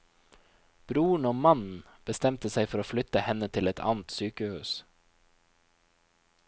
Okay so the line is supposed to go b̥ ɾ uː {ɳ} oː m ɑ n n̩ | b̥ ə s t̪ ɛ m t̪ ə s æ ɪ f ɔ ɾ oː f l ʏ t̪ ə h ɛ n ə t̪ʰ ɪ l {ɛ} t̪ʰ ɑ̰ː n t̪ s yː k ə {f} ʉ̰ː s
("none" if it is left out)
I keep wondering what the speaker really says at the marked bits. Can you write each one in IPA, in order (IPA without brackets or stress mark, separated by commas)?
ɳ, ɛ, h